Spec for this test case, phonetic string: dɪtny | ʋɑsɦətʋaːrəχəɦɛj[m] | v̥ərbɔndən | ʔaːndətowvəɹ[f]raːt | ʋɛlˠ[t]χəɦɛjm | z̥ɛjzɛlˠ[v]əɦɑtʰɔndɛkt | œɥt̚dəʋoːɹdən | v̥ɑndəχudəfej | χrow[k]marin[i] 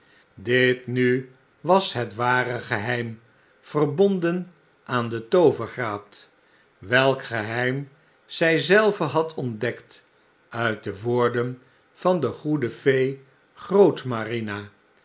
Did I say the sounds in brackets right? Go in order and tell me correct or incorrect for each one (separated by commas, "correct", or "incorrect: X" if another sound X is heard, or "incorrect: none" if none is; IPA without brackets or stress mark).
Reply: correct, incorrect: χ, incorrect: k, correct, incorrect: t, incorrect: a